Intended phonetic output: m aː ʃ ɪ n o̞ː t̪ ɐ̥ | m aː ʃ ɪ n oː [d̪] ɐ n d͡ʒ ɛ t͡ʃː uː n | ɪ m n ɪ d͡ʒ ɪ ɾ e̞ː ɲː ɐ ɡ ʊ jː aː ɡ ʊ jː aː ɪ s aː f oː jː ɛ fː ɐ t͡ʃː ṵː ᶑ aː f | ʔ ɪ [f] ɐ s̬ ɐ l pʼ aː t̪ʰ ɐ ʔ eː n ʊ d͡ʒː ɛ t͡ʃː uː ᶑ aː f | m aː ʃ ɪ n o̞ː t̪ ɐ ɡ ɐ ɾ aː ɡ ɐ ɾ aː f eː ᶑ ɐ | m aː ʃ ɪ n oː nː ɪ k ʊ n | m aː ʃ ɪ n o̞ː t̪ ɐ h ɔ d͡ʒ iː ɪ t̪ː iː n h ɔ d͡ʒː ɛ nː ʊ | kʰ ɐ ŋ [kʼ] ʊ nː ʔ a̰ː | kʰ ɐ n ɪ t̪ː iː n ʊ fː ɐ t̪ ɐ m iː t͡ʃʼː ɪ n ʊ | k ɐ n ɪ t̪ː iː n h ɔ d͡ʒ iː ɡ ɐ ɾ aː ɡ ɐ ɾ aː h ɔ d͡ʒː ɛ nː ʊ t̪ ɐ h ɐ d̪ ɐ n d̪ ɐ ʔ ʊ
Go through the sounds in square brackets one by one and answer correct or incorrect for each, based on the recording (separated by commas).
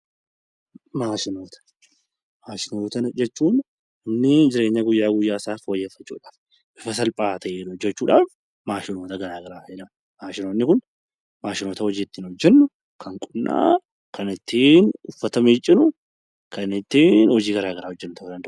incorrect, correct, correct